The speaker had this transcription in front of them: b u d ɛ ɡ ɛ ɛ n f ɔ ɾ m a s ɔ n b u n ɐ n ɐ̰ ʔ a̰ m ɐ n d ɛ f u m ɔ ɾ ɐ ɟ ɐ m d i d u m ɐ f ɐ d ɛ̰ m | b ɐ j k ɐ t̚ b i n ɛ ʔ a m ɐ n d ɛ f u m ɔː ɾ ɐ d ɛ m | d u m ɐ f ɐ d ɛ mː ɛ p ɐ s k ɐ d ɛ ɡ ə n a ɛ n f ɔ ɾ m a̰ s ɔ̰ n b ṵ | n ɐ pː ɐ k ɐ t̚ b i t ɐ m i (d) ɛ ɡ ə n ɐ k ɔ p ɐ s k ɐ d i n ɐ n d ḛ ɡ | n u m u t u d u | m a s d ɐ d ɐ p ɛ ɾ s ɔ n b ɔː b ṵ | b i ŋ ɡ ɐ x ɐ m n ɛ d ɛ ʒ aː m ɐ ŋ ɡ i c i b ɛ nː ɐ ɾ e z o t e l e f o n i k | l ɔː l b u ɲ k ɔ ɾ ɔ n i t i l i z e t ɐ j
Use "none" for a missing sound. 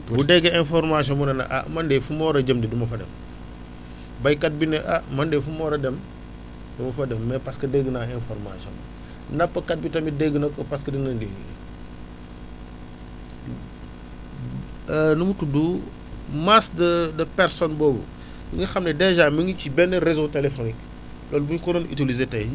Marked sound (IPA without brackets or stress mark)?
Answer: d